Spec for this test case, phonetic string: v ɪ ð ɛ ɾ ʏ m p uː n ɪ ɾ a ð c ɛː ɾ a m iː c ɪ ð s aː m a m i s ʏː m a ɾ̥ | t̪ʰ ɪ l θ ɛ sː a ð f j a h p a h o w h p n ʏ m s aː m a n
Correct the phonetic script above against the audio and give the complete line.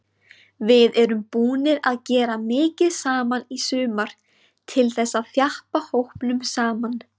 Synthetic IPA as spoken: v ɪ ð ɛ ɾ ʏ m p uː n ɪ ɾ a ð c ɛː ɾ a m ɪː c ɪ ð s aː m a n i s ʏː m a ɾ̥ | t̪ʰ ɪ l θ ɛ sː a ð θ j a h p a h o w h p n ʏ m s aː m a n